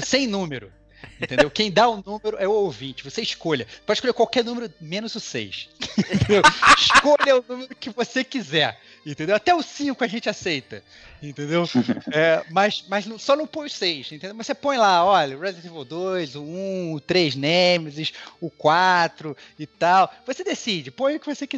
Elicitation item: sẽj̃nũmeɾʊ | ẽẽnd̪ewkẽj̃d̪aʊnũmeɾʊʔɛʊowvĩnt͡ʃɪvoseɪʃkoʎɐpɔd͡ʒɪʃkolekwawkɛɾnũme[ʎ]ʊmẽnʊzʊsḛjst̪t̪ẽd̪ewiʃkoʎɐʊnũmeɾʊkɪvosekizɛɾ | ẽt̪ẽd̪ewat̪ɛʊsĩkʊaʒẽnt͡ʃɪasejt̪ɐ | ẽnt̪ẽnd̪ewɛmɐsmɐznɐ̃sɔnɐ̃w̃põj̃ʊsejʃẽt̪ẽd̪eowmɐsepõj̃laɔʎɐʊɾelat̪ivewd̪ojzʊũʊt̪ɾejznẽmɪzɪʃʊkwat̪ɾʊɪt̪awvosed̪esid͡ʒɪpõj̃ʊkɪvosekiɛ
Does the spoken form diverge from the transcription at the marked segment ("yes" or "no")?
yes